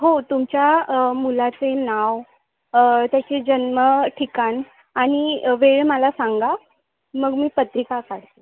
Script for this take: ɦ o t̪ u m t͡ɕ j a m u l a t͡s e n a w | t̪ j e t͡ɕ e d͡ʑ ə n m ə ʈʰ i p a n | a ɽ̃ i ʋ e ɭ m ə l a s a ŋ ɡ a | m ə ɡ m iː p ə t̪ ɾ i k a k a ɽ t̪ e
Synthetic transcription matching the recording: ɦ o t̪ u m t͡ɕ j a m u l a t͡s e n a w | t̪ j a t͡ɕ e d͡ʑ ə n m ə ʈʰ i k a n | a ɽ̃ i ʋ e ɭ m ə l a s a ŋ ɡ a | m ə ɡ m iː p ə t̪ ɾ i k a k a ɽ t̪ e